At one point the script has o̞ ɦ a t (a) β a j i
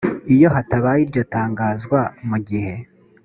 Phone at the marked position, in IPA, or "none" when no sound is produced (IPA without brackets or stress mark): a